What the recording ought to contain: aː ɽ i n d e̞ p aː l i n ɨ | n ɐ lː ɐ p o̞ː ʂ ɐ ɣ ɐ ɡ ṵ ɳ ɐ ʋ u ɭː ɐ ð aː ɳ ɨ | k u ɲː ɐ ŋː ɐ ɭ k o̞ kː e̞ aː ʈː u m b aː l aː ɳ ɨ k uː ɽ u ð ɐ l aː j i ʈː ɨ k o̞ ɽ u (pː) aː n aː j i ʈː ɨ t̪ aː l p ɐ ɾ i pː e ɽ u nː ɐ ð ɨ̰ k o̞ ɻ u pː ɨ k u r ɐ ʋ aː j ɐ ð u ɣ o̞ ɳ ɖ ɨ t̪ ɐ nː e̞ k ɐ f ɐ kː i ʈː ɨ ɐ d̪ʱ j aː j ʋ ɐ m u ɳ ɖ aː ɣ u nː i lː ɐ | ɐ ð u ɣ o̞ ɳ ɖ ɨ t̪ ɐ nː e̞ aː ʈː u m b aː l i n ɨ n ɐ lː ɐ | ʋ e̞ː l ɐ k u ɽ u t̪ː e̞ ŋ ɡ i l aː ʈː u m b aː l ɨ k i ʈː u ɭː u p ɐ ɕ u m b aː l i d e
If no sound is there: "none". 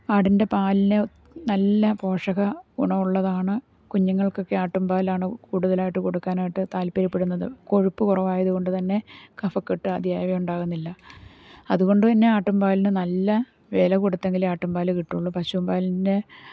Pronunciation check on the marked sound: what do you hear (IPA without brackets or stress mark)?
kː